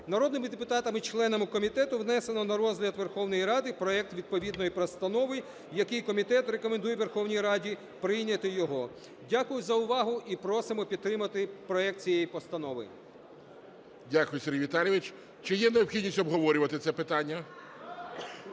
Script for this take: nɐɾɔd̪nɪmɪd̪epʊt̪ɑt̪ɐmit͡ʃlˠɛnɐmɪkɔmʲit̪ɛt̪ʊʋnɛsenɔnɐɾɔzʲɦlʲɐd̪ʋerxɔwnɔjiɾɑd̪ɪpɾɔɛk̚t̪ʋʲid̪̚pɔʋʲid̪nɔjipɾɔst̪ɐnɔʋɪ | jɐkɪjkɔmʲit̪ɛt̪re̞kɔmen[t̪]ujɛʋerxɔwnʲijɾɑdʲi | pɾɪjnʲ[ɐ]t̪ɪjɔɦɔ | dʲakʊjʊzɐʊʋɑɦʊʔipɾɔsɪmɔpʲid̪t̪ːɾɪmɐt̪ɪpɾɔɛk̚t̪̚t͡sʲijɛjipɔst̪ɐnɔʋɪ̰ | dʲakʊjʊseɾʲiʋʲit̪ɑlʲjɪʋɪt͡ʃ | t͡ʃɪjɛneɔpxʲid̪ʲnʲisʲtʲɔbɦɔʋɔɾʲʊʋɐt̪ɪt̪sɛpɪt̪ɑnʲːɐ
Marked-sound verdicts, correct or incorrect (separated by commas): incorrect, correct